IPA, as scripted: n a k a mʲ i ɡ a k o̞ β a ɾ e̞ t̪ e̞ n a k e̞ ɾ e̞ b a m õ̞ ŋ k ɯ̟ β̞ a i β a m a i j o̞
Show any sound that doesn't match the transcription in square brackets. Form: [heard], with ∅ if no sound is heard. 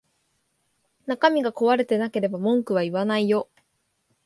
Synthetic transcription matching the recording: n a k a mʲ i ɡ a k o̞ β a ɾ e̞ t̪ e̞ n a k e̞ ɾ e̞ b a m õ̞ ŋ k ɯ̟ β̞ a i β a [n] a i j o̞